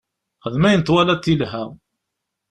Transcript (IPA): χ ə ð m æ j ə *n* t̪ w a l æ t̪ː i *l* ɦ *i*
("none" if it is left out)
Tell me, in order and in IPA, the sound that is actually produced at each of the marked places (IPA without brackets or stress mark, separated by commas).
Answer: n, l, æ